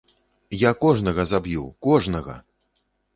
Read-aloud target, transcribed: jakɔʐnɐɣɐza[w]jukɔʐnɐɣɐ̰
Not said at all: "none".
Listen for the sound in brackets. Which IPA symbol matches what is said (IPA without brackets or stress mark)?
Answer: b